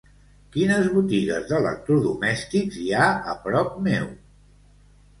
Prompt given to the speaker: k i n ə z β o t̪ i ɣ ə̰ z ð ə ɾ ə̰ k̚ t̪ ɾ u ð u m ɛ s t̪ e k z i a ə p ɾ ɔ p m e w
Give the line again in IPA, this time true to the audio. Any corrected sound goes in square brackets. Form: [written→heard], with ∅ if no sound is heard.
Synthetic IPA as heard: k i n ə z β [o→u] t̪ i ɣ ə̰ z ð ə [ɾ→l] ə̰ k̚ t̪ ɾ u ð u m ɛ s t̪ [e→i] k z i a ə p ɾ ɔ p m e w